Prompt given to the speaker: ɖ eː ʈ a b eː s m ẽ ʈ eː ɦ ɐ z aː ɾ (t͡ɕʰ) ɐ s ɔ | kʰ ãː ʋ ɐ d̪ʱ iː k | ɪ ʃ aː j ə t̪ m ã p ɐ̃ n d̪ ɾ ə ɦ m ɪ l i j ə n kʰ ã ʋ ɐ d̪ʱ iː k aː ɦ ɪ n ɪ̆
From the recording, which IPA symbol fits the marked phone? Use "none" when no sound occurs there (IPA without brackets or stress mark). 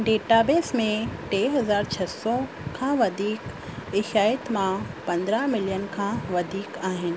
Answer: t͡ɕʰ